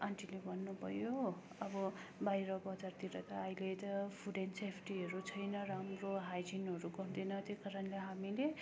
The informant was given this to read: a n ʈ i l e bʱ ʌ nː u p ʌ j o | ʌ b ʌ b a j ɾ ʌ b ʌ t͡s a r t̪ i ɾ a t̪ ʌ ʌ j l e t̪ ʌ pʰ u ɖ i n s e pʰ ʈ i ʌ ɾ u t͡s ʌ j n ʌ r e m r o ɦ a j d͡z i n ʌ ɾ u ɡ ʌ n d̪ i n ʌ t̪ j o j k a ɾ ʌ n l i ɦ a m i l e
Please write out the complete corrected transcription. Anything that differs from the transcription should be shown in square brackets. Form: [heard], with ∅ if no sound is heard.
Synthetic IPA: a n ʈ i l e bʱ ʌ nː u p ʌ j o | ʌ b ʌ b a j ɾ ʌ b ʌ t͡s a r t̪ i ɾ [ʌ] t̪ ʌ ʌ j l e t̪ ʌ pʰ u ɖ [e] n s e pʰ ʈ i ʌ ɾ u [t͡sʰ] ʌ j n ʌ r [a] m r o ɦ a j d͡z i n ʌ ɾ u ɡ ʌ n d̪ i n ʌ t̪ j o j k a ɾ ʌ n l [e] ɦ a m i l e